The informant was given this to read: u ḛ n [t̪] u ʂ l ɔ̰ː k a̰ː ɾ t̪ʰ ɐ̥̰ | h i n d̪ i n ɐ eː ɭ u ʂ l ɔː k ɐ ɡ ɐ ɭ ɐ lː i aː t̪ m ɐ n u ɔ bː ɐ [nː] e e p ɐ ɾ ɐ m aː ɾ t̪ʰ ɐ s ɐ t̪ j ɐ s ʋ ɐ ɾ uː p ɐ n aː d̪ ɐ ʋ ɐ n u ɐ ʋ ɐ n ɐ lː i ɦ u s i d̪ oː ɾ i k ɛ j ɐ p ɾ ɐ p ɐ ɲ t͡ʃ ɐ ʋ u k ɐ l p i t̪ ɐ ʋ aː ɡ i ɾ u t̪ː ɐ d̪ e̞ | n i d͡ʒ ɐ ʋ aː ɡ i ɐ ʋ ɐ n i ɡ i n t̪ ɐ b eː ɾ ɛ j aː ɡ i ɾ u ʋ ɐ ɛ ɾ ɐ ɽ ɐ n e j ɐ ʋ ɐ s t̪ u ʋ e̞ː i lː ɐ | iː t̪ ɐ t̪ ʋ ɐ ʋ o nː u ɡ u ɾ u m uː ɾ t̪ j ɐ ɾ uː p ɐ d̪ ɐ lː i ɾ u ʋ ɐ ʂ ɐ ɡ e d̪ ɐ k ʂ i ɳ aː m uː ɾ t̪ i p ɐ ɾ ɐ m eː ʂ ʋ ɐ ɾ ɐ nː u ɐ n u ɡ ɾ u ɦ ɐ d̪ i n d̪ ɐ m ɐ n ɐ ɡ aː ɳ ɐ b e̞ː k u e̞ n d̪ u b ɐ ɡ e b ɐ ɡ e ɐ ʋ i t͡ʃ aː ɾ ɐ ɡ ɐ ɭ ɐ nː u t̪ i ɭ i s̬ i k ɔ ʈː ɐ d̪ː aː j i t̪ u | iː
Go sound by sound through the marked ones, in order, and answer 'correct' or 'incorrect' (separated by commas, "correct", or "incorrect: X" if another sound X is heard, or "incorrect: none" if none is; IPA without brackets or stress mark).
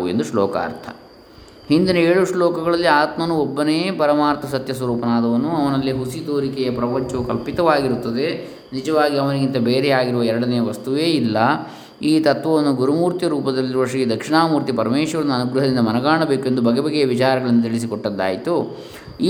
incorrect: d̪, incorrect: n